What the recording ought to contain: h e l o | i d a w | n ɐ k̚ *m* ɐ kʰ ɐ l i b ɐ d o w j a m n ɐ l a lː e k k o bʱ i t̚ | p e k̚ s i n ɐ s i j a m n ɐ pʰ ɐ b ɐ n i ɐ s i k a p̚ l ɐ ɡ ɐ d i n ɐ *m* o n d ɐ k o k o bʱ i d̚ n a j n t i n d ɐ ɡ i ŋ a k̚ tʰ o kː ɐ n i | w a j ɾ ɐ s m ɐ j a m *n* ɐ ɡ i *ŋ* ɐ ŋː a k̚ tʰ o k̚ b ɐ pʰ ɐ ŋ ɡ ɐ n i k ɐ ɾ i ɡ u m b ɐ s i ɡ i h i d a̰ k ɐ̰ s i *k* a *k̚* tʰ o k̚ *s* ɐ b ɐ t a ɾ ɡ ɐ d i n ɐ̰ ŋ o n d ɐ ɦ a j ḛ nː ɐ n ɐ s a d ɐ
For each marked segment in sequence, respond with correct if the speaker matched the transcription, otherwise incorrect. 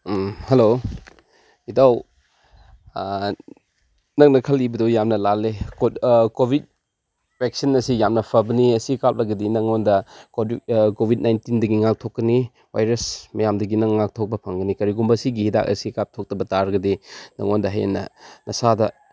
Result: incorrect, incorrect, incorrect, incorrect, correct, incorrect, incorrect

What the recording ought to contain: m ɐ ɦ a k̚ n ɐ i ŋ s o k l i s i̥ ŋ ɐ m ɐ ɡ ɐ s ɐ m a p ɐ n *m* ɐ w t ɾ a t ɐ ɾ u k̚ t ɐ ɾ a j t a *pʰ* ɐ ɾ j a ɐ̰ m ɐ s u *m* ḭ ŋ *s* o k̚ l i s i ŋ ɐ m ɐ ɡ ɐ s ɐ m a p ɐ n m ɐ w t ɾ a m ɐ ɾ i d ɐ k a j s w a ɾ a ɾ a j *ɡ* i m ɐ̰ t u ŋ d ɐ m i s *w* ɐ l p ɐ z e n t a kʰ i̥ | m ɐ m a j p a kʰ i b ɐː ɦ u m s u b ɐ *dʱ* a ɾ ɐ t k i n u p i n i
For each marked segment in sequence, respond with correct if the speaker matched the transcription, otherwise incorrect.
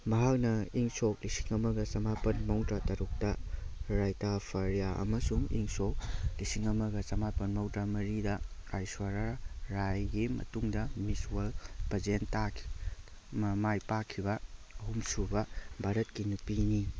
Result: correct, correct, incorrect, correct, correct, correct, incorrect

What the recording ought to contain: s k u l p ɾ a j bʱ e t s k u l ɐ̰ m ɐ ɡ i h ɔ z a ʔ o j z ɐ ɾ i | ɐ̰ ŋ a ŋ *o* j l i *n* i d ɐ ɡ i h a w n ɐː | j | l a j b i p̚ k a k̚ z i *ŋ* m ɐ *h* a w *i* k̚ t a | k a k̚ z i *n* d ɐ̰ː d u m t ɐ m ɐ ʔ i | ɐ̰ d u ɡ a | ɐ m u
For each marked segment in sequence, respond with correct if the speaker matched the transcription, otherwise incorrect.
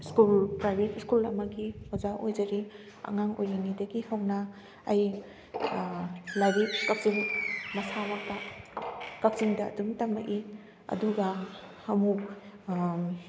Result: correct, correct, correct, incorrect, incorrect, incorrect

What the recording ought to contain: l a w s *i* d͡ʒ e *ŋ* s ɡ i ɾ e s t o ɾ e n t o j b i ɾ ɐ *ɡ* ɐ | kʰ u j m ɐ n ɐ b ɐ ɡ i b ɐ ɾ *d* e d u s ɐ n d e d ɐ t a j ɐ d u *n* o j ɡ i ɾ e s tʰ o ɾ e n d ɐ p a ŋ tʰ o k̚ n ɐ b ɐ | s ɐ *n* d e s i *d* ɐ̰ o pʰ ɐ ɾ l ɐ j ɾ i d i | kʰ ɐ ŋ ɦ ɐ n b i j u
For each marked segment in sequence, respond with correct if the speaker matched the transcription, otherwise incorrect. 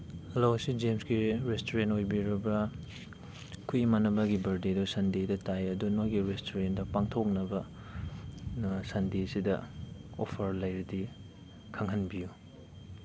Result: correct, incorrect, incorrect, correct, correct, correct, correct

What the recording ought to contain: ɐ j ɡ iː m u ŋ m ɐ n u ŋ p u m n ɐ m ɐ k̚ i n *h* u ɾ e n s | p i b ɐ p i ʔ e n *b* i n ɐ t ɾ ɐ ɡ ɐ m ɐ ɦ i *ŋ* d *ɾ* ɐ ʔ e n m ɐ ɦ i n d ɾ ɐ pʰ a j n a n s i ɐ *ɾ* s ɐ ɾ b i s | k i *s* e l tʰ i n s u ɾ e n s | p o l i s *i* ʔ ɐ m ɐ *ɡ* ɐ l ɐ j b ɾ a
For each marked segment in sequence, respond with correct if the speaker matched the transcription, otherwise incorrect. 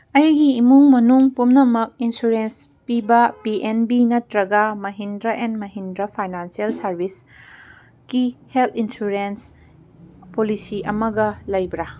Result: incorrect, correct, incorrect, correct, incorrect, incorrect, correct, correct

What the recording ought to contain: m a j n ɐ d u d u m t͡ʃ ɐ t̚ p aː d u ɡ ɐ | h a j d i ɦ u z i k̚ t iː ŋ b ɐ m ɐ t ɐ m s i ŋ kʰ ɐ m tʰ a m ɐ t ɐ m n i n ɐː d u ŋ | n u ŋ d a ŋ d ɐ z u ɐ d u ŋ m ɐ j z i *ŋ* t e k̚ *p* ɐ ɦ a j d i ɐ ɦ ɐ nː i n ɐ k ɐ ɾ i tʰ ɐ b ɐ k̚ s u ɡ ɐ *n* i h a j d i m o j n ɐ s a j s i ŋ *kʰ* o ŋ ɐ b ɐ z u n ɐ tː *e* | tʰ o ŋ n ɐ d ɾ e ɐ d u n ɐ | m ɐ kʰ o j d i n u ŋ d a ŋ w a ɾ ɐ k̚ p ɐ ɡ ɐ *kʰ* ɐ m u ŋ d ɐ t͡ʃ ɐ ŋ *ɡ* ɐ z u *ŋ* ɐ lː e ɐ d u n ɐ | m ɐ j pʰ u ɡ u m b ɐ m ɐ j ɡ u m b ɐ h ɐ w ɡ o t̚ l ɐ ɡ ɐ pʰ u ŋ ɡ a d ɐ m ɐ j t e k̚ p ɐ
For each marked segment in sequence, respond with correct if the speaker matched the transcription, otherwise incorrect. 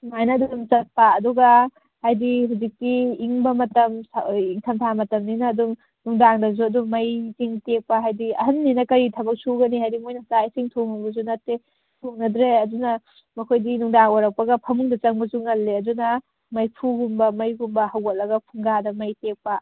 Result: correct, correct, correct, incorrect, correct, incorrect, incorrect, correct

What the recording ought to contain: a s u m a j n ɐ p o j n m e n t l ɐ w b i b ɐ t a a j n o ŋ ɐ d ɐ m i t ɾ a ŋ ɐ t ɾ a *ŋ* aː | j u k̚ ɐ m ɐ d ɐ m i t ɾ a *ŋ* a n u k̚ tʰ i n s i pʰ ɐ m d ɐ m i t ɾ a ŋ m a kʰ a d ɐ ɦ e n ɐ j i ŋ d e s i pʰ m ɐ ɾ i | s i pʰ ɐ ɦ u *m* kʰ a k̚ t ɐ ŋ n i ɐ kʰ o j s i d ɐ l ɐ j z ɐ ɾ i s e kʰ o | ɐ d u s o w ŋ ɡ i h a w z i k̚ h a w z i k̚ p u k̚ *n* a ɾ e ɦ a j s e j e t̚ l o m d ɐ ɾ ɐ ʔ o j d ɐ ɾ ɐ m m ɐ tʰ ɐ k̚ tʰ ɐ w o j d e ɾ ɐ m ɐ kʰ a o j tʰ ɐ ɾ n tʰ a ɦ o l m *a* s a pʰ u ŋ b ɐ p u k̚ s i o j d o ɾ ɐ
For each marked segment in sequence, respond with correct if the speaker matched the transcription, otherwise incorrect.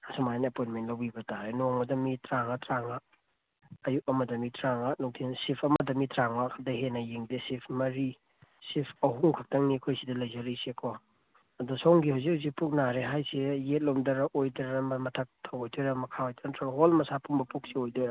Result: correct, correct, incorrect, correct, incorrect

